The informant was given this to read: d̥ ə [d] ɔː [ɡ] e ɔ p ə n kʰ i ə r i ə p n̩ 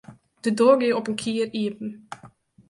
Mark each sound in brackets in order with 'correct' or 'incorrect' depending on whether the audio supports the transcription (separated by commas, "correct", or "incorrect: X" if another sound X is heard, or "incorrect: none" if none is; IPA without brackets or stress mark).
correct, correct